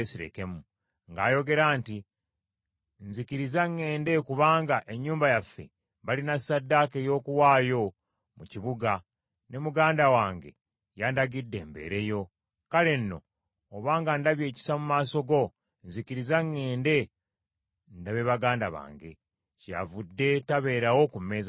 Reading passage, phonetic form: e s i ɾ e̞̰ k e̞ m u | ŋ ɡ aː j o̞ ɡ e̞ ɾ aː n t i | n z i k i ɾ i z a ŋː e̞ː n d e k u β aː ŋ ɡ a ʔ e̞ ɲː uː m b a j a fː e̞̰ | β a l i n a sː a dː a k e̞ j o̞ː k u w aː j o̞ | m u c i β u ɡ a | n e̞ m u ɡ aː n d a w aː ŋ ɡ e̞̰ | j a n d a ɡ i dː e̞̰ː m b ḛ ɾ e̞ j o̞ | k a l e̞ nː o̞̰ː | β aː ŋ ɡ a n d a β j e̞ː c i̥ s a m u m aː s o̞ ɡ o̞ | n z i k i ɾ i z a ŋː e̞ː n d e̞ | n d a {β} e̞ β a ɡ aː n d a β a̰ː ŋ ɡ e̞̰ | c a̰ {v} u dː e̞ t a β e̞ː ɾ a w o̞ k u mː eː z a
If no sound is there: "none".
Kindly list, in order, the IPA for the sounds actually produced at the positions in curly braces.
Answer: β, v

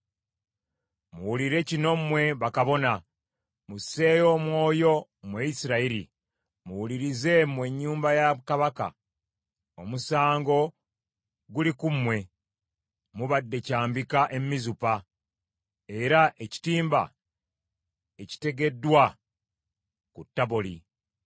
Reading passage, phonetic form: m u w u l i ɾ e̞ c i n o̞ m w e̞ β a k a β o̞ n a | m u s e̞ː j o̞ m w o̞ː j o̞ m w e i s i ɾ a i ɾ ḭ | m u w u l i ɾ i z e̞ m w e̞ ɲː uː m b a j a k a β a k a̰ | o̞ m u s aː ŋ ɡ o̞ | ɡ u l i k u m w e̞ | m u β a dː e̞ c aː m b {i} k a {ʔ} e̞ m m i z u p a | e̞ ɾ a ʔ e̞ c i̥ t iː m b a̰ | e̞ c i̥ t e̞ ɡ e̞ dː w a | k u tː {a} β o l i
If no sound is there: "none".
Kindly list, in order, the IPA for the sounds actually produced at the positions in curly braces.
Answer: i, ʔ, a

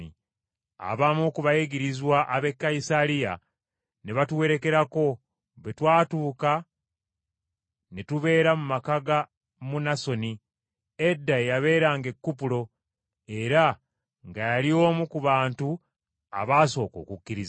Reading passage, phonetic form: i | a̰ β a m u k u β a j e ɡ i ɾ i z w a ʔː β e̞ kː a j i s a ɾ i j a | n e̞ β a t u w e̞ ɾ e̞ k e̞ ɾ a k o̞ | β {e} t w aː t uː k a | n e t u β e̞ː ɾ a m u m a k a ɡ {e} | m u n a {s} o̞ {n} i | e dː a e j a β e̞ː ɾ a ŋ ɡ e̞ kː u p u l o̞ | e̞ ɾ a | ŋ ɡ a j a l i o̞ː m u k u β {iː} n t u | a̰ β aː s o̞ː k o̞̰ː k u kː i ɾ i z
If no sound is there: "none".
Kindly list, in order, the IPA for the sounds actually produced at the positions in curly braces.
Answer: e, a, s, n, aː

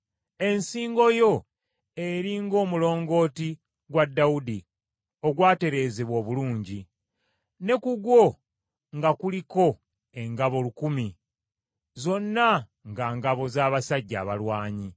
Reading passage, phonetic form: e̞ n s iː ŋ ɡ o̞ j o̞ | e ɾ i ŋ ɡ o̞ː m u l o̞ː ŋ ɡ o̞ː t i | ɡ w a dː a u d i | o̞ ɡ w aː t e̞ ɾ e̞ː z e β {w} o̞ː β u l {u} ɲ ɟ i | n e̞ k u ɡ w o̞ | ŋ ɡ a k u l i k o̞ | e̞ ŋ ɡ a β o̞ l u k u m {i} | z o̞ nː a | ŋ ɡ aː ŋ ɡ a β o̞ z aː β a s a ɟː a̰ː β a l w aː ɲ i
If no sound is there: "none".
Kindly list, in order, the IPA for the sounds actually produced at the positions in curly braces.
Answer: w, uː, i

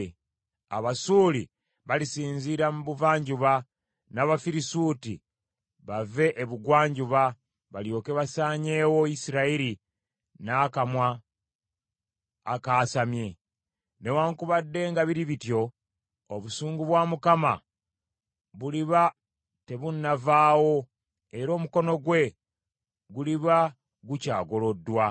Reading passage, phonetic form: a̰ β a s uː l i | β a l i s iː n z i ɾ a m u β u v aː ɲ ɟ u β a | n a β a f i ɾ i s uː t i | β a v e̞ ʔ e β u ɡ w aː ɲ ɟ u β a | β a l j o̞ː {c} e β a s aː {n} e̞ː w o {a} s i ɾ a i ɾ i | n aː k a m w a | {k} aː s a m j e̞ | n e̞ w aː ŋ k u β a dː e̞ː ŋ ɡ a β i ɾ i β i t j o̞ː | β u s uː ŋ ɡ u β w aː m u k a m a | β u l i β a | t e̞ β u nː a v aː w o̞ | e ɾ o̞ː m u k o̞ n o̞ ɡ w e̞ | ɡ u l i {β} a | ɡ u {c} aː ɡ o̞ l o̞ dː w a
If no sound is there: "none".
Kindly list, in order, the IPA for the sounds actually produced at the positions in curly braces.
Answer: k, ɲ, i, k, β, c

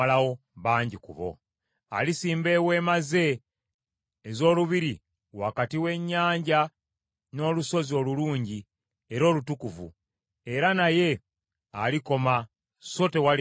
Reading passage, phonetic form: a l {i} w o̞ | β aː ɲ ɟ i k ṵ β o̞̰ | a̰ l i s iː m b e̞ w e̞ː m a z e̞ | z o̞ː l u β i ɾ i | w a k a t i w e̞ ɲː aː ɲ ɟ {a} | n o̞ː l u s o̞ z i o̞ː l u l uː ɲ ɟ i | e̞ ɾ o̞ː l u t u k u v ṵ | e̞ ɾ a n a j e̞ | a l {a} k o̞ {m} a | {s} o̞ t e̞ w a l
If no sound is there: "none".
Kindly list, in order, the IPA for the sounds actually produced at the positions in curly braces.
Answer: a, a, i, m, s

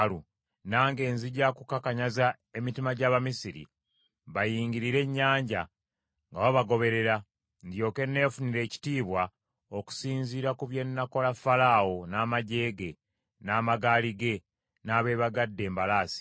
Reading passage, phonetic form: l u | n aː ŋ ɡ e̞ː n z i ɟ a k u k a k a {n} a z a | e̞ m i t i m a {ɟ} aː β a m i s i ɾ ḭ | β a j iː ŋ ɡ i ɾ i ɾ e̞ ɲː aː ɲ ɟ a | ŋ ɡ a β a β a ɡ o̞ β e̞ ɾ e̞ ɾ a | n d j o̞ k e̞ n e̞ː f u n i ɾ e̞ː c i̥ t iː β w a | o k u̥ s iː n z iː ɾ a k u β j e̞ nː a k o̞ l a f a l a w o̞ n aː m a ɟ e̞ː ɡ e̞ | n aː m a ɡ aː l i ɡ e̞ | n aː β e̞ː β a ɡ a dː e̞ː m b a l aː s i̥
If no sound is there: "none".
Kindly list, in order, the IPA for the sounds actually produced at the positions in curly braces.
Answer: ɲ, ɟ

